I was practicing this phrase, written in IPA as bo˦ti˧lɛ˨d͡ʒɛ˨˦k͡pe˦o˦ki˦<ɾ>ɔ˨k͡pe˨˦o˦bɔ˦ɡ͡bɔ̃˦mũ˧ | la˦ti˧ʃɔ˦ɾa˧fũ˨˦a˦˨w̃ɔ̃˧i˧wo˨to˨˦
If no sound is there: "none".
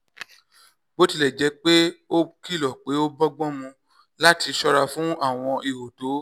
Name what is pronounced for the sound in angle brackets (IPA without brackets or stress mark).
l